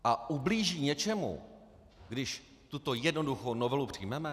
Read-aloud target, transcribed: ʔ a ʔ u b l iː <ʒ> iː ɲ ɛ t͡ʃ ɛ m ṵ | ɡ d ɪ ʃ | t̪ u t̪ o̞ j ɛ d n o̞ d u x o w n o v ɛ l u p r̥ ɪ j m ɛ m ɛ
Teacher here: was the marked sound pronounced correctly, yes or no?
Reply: yes